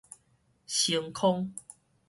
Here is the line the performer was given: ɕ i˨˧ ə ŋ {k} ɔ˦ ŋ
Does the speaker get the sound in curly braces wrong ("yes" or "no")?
yes